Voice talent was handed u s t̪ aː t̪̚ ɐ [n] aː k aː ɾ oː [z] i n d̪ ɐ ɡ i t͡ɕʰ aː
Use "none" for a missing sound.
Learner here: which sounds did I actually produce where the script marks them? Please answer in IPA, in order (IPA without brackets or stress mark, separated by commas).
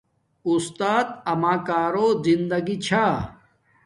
m, z